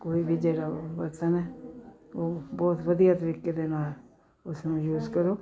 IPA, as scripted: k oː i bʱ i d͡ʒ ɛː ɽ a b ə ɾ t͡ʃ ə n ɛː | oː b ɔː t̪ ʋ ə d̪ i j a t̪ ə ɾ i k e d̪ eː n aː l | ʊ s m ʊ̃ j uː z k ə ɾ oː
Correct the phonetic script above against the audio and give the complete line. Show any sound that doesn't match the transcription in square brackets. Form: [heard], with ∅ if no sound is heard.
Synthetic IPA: k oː i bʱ i d͡ʒ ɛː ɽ a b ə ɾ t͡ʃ ə n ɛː | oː b ɔː t̪ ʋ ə d̪ i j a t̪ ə ɾ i k e d̪ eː n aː l | ʊ s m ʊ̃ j uː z k ə ɾ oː